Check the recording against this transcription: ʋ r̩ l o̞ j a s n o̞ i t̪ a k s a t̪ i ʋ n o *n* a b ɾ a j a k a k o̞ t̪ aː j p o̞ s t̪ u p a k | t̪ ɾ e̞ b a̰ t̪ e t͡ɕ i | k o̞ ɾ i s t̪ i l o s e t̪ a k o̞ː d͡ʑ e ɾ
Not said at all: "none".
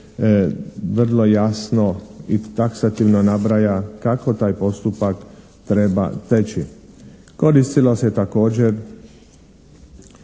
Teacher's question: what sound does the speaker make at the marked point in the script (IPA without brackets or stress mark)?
n